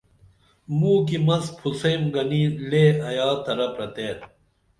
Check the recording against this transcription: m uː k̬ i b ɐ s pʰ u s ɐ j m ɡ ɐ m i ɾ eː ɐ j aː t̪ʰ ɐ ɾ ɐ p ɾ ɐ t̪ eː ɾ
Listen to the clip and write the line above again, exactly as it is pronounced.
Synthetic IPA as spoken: m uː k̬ i m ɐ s pʰ u s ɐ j m ɡ ɐ n i l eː ɐ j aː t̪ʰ ɐ ɾ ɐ p ɾ ɐ t̪ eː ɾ